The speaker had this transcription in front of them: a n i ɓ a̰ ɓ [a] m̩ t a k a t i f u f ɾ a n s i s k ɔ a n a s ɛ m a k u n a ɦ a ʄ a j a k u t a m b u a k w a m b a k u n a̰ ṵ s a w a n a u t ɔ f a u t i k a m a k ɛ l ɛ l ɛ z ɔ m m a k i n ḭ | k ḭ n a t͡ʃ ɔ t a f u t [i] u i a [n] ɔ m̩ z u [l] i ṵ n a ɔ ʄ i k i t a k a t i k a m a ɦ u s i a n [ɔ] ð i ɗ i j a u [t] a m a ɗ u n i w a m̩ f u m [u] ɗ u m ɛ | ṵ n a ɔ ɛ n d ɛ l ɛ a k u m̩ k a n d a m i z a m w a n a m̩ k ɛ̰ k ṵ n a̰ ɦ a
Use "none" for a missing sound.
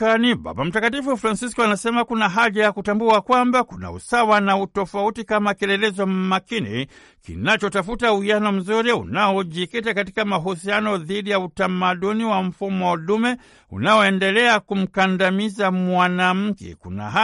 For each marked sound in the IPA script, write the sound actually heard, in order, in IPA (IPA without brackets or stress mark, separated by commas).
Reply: a, a, n, ɾ, ɔ, t, ɔ